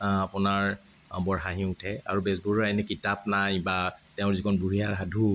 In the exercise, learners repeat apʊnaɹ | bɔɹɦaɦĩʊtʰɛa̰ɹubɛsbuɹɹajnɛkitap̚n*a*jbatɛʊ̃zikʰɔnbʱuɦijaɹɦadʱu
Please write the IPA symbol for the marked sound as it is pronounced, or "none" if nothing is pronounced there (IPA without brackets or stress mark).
a